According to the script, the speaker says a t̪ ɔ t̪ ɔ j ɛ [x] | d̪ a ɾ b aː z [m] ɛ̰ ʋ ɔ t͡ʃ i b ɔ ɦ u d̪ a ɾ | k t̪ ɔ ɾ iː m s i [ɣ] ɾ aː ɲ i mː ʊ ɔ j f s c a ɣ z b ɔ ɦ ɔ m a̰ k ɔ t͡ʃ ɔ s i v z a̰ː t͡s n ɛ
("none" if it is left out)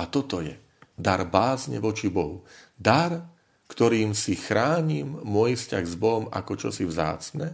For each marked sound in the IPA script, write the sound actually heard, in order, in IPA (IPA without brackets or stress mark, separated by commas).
none, ɲ, x